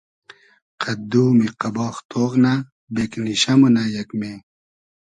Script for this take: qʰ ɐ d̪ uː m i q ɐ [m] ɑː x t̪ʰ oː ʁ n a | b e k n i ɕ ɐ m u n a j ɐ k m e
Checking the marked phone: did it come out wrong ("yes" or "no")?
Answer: yes